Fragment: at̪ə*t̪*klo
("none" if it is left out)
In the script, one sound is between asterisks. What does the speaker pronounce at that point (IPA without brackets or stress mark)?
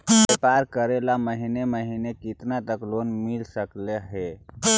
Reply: none